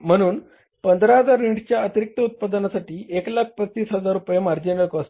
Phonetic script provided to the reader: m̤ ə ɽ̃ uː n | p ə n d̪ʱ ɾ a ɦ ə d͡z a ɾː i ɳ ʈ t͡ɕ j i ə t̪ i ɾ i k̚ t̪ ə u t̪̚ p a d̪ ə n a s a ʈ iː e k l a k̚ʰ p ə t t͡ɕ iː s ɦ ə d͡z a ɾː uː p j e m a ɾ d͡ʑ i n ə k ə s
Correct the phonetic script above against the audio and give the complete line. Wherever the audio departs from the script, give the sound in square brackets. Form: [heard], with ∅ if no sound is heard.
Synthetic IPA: m̤ ə ɽ̃ uː n | p ə n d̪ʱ ɾ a ɦ ə d͡z a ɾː i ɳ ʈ t͡ɕ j [a] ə t̪ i ɾ i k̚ t̪ ə u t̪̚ p a d̪ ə n a s a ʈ iː e k l a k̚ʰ p ə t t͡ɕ iː s ɦ ə d͡z a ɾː [u] p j e m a ɾ d͡ʑ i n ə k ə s